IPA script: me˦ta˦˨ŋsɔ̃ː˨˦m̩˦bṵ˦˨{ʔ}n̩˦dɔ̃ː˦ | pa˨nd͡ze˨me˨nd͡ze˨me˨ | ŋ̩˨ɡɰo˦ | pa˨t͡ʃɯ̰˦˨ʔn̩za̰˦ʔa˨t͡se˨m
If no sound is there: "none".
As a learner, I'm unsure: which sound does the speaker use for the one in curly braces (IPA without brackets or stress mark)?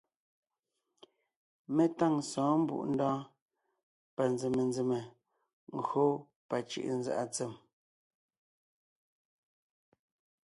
ʔ